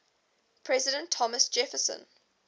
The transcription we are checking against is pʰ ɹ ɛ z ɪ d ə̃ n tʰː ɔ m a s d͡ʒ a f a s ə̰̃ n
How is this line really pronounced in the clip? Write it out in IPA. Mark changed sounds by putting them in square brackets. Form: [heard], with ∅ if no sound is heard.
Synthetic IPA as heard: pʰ ɹ ɛ z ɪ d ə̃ n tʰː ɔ m [ə] s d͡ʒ [ɛ] f [ə] s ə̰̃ n